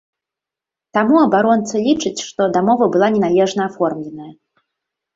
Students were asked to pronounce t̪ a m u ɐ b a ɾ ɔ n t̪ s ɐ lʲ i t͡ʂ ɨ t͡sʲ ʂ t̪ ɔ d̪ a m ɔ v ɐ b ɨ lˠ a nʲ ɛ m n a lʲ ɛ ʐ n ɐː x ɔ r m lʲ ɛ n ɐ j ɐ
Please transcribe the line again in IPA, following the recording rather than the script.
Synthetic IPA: t̪ a m u ɐ b a ɾ ɔ n t̪ s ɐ lʲ i t͡ʂ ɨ t͡sʲ ʂ t̪ ɔ d̪ a m ɔ v ɐ b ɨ lˠ a nʲ ɛ n a lʲ ɛ ʐ n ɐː f ɔ r m lʲ ɛ n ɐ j ɐ

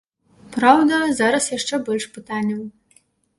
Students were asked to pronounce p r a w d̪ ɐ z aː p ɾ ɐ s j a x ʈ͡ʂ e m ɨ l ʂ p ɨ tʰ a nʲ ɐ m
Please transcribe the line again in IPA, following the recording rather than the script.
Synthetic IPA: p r a w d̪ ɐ z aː ɾ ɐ s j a ʂ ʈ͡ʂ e b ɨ l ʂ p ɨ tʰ a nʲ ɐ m

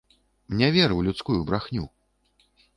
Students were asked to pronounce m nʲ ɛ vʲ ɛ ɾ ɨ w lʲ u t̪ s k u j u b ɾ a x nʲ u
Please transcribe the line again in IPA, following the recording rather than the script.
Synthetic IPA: m nʲ ɛ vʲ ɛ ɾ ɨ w lʲ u t̪ s k u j u b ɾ a x nʲ u

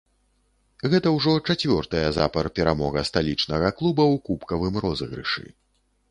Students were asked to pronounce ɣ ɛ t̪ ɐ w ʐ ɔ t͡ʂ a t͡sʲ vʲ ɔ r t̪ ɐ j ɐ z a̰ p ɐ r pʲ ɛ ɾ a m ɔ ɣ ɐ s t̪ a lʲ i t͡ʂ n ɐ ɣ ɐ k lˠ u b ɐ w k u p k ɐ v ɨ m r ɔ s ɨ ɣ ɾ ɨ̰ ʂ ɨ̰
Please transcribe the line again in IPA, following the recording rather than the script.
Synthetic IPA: ɣ ɛ t̪ ɐ w ʐ ɔ t͡ʂ a t͡sʲ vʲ ɔ r t̪ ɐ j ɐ z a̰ p ɐ r pʲ ɛ ɾ a m ɔ ɣ ɐ s t̪ a lʲ i t͡ʂ n ɐ ɣ ɐ k lˠ u b ɐ w k u p k ɐ v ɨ m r ɔ z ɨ ɣ ɾ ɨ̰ ʂ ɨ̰

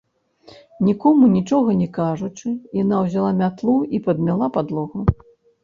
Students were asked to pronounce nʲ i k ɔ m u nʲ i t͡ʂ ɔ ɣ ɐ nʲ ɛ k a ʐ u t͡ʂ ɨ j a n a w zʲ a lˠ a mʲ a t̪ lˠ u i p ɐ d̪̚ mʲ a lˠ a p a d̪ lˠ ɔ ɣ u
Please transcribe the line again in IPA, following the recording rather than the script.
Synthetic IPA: nʲ i k ɔ m u nʲ i t͡ʂ ɔ ɣ ɐ nʲ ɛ k a ʐ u t͡ʂ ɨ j a n a w zʲ a lˠ a mʲ a t̪ lˠ u i p ɐ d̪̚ mʲ a lˠ a p a d̪ lˠ ɔ ɣ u

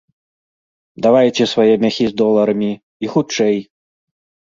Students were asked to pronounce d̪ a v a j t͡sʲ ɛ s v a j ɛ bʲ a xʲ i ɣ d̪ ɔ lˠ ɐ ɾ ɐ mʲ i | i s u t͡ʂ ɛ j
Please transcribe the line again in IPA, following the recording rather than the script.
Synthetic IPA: d̪ a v a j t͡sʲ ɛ s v a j ɛ mʲ a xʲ i z d̪ ɔ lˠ ɐ ɾ ɐ mʲ i | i x u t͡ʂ ɛ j

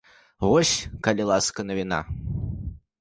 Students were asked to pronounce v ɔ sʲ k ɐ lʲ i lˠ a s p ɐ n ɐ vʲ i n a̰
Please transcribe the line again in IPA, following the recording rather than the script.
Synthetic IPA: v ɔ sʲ k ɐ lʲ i lˠ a s k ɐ n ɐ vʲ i n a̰

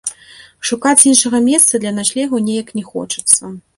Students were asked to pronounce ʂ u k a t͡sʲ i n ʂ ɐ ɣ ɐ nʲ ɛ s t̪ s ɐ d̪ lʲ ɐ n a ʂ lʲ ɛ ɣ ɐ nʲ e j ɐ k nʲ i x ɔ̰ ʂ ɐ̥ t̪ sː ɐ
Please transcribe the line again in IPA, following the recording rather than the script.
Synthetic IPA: ʂ u k a t͡sʲ i n ʂ ɐ ɣ ɐ mʲ ɛ s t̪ s ɐ d̪ lʲ ɐ n a ʂ lʲ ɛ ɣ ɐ nʲ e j ɐ k nʲ ɛ x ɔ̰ t͡ʂ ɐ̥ t̪ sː ɐ

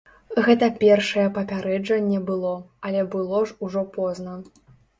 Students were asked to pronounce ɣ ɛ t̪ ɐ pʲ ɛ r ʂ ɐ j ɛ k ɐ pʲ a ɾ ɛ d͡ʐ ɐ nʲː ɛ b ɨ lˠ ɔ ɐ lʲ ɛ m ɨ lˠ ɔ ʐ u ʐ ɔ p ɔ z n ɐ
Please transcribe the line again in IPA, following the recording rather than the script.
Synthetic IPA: ɣ ɛ t̪ ɐ pʲ ɛ r ʂ ɐ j ɛ p ɐ pʲ a ɾ ɛ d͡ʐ ɐ nʲː ɛ b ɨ lˠ ɔ ɐ lʲ ɛ b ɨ lˠ ɔ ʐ u ʐ ɔ p ɔ z n ɐ

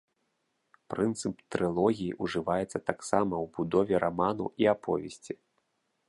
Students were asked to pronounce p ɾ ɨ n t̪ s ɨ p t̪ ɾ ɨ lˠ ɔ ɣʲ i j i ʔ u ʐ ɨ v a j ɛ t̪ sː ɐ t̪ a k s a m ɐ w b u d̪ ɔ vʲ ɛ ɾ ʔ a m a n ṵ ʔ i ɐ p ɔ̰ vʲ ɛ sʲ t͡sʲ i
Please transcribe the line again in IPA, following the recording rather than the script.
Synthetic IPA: p ɾ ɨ n t̪ s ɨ p t̪ ɾ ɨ lˠ ɔ ɣʲ i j i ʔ u ʐ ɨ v a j ɛ t̪ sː ɐ t̪ a k s a m ɐ w b u d̪ ɔ vʲ ɛ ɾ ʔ a m a n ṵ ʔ i a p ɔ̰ vʲ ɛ sʲ t͡sʲ i

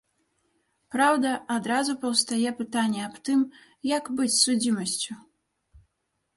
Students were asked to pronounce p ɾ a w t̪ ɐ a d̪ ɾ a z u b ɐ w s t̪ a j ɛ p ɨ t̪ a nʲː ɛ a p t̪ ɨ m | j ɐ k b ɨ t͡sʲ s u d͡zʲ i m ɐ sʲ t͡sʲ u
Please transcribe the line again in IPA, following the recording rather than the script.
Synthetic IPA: p ɾ a w d̪ ɐ a d̪ ɾ a z u p ɐ w s t̪ a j ɛ p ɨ t̪ a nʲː ɛ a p t̪ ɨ m | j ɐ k b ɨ t͡sʲ s u d͡zʲ i m ɐ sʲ t͡sʲ u

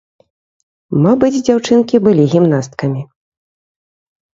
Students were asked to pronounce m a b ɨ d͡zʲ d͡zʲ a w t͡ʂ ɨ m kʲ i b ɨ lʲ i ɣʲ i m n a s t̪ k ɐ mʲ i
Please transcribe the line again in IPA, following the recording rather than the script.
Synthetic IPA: m a b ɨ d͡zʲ d͡zʲ a w t͡ʂ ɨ n kʲ i b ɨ lʲ i ɣʲ i m n a s t̪ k ɐ mʲ i

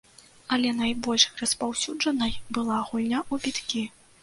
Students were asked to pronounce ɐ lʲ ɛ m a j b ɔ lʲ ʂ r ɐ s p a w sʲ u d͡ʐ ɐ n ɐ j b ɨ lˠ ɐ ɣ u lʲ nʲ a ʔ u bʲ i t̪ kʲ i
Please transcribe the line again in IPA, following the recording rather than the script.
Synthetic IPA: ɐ lʲ ɛ n a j b ɔ lʲ ʂ r ɐ s p a w sʲ u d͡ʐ ɐ n ɐ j b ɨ lˠ a ɣ u lʲ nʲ a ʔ u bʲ i t̪ kʲ i

